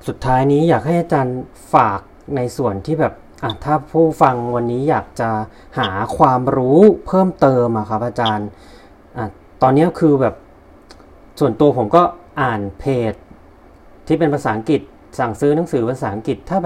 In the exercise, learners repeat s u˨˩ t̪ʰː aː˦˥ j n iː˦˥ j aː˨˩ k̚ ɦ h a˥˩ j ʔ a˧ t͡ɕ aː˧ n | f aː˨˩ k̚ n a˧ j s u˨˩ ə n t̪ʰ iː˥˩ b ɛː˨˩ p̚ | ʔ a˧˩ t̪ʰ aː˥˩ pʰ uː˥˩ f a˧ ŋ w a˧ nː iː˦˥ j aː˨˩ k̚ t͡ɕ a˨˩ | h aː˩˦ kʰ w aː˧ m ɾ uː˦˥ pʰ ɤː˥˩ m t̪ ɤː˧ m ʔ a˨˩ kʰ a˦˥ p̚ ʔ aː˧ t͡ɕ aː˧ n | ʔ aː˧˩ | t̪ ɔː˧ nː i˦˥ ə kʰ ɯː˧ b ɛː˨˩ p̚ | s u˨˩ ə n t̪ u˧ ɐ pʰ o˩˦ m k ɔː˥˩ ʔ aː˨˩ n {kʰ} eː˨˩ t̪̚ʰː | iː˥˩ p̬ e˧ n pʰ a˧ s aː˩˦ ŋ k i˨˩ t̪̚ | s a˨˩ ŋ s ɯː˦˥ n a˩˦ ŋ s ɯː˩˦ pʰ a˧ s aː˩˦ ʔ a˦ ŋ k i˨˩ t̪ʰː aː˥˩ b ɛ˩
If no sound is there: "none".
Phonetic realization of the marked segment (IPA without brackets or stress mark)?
pʰ